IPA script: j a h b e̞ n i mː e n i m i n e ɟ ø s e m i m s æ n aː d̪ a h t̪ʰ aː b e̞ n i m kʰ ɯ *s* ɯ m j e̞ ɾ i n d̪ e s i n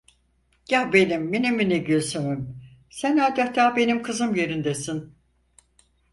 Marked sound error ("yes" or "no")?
yes